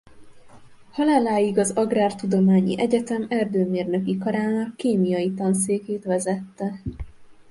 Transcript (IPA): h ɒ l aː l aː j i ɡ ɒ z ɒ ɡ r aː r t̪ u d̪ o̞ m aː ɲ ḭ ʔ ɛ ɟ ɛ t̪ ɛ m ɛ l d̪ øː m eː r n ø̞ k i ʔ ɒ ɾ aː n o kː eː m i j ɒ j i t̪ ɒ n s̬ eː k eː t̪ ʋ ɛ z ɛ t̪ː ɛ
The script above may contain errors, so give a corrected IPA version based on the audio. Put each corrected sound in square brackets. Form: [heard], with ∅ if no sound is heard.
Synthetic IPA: h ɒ l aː l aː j i ɡ ɒ z ɒ ɡ r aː r t̪ u d̪ o̞ m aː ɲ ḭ ʔ ɛ ɟ ɛ t̪ ɛ m ɛ [r] d̪ øː m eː r n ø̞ k i [k] ɒ ɾ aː n [ɒ] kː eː m i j ɒ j i t̪ ɒ n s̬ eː k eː t̪ ʋ ɛ z ɛ t̪ː ɛ

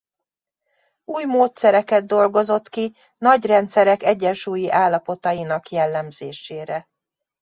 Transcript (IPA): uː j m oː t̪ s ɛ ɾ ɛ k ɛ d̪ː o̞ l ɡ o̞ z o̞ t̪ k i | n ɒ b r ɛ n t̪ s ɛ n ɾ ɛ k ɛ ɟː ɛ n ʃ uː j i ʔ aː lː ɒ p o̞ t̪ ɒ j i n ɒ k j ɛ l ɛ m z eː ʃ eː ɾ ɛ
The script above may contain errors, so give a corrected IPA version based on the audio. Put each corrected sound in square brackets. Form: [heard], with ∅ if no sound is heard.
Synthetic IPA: uː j m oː t̪ s ɛ ɾ ɛ k ɛ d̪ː o̞ l ɡ o̞ z o̞ t̪ k i | n ɒ [ɟ] r ɛ n t̪ s ɛ [∅] ɾ ɛ k ɛ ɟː ɛ n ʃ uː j i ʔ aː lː ɒ p o̞ t̪ ɒ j i n ɒ k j ɛ [lː] ɛ m z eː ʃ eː ɾ ɛ

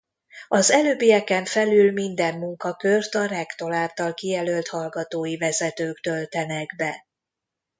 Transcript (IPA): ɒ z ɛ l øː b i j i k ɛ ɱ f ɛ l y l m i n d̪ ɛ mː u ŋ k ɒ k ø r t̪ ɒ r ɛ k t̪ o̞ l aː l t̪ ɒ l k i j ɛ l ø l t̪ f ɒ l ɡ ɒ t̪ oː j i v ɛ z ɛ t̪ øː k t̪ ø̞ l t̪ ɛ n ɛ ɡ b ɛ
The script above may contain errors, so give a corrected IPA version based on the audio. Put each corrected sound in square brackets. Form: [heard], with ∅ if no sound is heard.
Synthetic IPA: ɒ z ɛ l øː b i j [ɛ] k ɛ ɱ f ɛ l y l m i n d̪ ɛ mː u ŋ k ɒ k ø r t̪ ɒ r ɛ k t̪ o̞ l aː l t̪ ɒ l k i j ɛ l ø l t̪ [h] ɒ l ɡ ɒ t̪ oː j i v ɛ z ɛ t̪ øː k t̪ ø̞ l t̪ ɛ n ɛ ɡ b ɛ

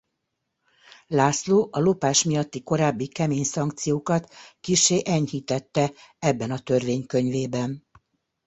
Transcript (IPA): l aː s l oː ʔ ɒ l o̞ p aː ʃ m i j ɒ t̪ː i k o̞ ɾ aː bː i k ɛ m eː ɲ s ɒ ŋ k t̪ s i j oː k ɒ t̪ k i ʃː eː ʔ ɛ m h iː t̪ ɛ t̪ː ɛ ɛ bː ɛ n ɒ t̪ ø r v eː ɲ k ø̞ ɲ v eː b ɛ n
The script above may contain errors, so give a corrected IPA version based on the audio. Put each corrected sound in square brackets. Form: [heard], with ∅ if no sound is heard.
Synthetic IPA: l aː s l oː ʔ ɒ l o̞ p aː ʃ m i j ɒ t̪ː i k o̞ ɾ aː bː i k ɛ m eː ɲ s ɒ ŋ k t̪ s i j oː k ɒ t̪ k i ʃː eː ʔ ɛ [ɲ] h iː t̪ ɛ t̪ː ɛ ɛ bː ɛ n ɒ t̪ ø r v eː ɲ k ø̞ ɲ v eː b ɛ n

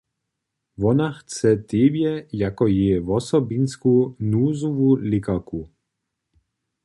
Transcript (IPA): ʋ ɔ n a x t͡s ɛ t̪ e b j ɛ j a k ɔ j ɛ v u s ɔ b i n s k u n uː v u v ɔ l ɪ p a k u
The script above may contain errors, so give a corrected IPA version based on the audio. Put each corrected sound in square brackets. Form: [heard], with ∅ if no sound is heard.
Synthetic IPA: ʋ ɔ n a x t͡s ɛ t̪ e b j ɛ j a k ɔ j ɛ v [ɔ] s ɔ b i n s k u n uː [z] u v [u] l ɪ [k] a k u

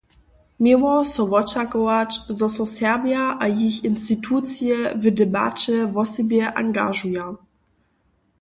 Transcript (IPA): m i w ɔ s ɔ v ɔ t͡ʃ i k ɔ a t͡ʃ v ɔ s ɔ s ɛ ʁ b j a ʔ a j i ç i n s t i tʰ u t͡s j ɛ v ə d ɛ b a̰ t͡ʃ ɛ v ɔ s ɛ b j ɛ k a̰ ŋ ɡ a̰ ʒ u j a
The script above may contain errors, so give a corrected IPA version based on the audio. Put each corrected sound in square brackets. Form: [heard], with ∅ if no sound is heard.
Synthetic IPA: m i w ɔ s ɔ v ɔ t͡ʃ [a] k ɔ a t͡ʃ [z] ɔ s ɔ s ɛ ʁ b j a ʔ a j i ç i n s t i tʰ u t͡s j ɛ v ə d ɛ b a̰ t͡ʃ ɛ v ɔ s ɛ b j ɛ [ʔ] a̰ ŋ ɡ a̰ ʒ u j a

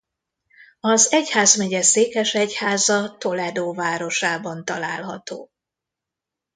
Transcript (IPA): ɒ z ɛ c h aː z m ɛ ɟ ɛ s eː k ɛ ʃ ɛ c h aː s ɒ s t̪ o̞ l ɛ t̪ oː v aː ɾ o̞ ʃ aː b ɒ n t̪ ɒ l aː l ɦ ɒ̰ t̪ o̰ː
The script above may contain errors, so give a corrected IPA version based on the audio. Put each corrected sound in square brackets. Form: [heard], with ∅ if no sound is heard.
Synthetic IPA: ɒ z ɛ c h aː z m ɛ ɟ ɛ s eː k ɛ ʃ ɛ c h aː [z] ɒ [∅] t̪ o̞ l ɛ [d̪] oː v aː ɾ o̞ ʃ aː b ɒ n t̪ ɒ l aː l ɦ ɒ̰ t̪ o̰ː

